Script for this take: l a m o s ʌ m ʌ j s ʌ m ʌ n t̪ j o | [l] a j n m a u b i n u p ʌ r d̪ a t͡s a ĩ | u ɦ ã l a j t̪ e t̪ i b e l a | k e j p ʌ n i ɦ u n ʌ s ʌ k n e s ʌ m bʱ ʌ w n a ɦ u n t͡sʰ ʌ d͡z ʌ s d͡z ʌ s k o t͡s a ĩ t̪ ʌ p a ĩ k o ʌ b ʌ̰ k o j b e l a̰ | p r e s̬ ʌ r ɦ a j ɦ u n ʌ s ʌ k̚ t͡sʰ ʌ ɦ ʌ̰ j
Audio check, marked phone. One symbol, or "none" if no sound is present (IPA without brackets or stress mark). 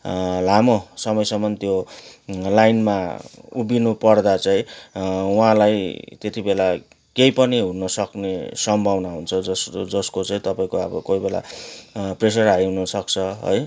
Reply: l